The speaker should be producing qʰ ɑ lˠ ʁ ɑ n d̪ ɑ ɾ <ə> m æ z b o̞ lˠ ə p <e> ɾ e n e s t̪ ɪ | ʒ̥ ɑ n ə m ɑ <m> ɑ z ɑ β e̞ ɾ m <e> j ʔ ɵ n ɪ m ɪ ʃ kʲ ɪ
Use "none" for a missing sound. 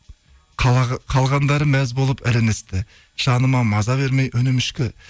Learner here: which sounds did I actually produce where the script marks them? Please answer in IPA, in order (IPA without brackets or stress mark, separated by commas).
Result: ə, æ, m, e